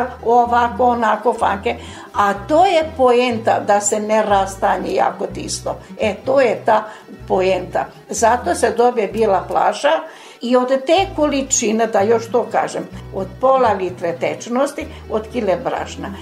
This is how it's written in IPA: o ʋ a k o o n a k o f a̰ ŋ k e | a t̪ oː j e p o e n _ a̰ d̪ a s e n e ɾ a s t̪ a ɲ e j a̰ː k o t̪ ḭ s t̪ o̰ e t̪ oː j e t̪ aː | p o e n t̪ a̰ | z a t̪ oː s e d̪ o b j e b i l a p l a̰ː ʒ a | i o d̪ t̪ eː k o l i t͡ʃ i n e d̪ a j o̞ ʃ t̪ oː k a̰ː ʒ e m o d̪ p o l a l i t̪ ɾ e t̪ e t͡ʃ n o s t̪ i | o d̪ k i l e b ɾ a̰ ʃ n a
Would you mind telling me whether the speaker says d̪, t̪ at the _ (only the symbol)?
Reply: t̪